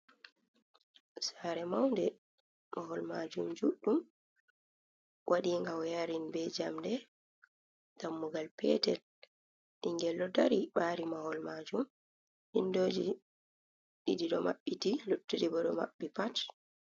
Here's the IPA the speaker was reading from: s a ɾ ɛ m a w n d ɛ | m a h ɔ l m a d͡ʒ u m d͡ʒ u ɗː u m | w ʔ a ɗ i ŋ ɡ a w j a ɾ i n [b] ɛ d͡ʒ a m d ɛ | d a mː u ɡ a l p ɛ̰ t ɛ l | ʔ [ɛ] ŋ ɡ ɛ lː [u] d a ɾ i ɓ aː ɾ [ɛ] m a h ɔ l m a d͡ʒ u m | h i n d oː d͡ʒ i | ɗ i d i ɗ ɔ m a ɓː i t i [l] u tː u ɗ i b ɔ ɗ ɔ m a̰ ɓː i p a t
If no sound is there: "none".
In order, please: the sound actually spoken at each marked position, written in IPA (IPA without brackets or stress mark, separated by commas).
b, i, ɔ, i, l